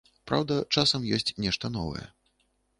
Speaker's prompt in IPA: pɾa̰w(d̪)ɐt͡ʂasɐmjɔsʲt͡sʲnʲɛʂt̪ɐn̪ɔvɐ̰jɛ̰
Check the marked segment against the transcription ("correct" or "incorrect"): correct